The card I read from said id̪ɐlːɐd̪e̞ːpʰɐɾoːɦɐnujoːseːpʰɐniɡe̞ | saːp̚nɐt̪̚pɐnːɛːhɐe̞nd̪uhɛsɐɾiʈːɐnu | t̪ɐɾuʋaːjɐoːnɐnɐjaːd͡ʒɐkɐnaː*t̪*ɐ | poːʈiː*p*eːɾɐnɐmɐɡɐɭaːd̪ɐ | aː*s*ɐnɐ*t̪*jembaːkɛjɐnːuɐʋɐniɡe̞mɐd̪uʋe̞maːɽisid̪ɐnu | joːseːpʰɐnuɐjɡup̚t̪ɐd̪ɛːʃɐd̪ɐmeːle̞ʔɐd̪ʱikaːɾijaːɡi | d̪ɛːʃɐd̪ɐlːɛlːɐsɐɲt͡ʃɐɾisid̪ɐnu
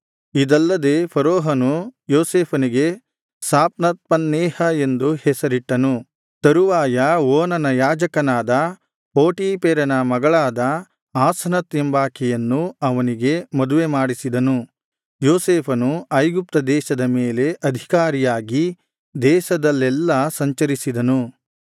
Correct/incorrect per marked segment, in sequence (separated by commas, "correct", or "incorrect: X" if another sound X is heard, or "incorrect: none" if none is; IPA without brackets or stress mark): incorrect: d̪, correct, correct, correct